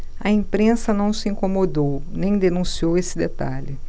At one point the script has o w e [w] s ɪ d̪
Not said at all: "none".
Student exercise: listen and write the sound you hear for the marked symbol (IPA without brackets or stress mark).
none